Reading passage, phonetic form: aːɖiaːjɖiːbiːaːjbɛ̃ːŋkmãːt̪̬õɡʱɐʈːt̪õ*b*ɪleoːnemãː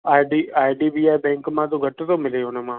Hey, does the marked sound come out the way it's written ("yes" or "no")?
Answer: no